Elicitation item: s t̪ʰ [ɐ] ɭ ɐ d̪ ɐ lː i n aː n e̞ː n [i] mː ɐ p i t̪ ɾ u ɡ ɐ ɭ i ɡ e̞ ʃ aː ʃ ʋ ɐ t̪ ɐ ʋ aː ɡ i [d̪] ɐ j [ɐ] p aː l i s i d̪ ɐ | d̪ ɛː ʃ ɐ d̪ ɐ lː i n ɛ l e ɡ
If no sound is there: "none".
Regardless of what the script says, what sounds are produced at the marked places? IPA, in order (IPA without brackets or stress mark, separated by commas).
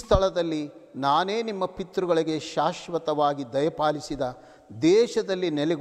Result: ɐ, i, d̪, ɐ